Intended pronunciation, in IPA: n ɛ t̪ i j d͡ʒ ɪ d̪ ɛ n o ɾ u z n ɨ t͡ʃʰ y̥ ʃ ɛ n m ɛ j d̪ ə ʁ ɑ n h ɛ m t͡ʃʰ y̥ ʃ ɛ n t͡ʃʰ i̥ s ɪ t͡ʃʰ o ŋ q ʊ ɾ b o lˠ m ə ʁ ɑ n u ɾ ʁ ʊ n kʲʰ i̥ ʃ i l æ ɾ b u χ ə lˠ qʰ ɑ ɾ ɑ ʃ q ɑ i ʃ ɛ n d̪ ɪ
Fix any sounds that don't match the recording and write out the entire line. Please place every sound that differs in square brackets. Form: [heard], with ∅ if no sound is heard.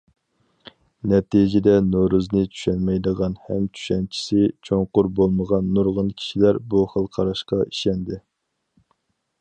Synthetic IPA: n ɛ t̪ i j d͡ʒ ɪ d̪ ɛ n o ɾ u z n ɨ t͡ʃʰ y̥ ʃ ɛ n m ɛ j d̪ ə ʁ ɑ n h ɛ m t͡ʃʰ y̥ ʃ ɛ n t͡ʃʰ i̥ s ɪ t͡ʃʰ o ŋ q ʊ ɾ b o lˠ m ə ʁ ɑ [nː] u ɾ ʁ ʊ n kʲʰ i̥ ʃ i l æ ɾ b u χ ə lˠ qʰ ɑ ɾ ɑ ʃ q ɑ i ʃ ɛ n d̪ ɪ